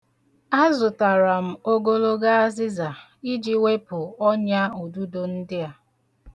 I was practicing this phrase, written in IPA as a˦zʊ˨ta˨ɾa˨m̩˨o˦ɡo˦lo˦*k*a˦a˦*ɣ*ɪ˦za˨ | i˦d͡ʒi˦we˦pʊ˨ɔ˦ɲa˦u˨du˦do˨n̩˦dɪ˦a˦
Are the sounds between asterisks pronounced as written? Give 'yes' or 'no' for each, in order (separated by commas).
no, no